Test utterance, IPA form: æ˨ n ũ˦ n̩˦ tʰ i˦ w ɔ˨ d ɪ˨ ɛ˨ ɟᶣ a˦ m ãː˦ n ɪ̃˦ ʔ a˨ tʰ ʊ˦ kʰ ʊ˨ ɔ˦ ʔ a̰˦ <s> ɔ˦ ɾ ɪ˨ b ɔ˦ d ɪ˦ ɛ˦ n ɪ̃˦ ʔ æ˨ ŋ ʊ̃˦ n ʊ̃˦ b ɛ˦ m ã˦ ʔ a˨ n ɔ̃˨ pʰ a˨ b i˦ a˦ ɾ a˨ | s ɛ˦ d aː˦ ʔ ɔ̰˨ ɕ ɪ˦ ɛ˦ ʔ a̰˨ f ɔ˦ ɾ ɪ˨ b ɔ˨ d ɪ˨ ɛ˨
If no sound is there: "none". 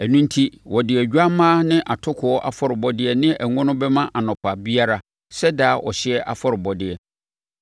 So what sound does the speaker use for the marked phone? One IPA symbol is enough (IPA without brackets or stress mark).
f